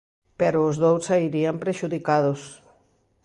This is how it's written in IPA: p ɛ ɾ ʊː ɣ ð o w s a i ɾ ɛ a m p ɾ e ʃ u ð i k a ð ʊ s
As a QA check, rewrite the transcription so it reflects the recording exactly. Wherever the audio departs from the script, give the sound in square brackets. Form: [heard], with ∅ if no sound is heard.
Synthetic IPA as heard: p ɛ ɾ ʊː [z] ð o w s a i ɾ [i] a m p ɾ e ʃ u ð i k a ð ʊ s